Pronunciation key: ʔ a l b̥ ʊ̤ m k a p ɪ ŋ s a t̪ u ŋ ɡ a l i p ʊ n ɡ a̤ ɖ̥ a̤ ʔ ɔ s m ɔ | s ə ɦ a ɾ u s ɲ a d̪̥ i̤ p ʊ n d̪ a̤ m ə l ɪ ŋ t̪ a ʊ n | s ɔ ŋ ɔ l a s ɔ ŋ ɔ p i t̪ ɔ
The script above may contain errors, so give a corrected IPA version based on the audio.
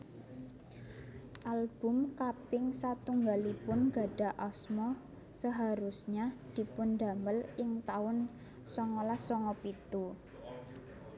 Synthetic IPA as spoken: ʔ a l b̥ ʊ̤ m k a p ɪ ŋ s a t̪ u ŋ ɡ a l i p ʊ n ɡ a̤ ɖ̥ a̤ ʔ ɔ s m ɔ | s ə ɦ a ɾ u s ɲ a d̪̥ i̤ p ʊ n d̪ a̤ m ə l ɪ ŋ t̪ a ʊ n | s ɔ ŋ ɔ l a s ɔ ŋ ɔ p i t̪ u